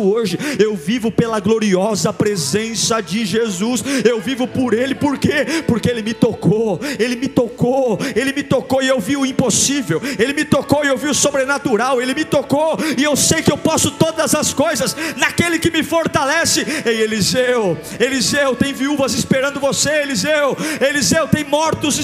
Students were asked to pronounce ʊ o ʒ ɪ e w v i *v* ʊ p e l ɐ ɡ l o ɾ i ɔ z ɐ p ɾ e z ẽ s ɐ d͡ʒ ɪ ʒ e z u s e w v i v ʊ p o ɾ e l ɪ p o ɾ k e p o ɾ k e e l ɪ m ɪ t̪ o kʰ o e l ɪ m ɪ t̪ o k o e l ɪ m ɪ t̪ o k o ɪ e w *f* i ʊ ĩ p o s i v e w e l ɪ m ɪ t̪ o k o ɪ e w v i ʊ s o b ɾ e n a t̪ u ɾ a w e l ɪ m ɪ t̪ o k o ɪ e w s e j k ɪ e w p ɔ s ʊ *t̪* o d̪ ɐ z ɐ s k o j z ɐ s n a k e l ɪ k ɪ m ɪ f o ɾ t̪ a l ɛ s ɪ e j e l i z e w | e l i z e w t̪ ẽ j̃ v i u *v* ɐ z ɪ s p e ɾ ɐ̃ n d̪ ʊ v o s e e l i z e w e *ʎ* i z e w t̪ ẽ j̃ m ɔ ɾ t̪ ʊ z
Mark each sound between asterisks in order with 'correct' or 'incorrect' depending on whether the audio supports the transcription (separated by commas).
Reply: correct, incorrect, correct, correct, incorrect